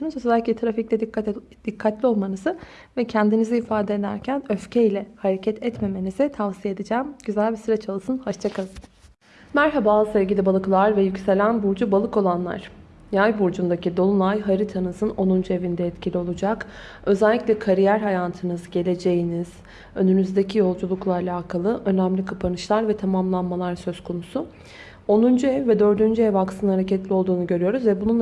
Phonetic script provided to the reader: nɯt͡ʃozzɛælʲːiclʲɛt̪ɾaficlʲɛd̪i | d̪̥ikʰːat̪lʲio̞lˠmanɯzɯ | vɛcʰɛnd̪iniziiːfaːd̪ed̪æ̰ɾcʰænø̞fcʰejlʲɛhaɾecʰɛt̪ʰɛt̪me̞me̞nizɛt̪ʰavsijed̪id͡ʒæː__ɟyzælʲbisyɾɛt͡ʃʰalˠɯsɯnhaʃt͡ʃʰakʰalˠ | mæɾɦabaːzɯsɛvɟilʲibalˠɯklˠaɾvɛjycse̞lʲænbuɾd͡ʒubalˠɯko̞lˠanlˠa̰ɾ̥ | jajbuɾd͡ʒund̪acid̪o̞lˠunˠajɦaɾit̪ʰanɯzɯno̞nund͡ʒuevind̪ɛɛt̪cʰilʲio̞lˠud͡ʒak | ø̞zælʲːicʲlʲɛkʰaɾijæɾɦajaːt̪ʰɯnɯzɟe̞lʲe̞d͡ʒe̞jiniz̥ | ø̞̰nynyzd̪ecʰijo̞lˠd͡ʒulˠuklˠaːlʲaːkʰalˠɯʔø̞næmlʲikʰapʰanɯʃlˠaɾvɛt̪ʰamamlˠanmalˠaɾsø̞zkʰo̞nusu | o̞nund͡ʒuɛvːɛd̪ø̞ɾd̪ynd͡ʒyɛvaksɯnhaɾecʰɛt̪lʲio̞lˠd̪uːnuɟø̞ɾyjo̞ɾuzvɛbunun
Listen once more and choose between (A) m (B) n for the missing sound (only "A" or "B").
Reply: A